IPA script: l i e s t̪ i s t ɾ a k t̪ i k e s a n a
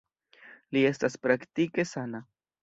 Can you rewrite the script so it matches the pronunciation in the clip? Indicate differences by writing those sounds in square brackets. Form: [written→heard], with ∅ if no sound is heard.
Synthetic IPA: l i e s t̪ [i→a] s [t→p] ɾ a k t̪ i k e s a n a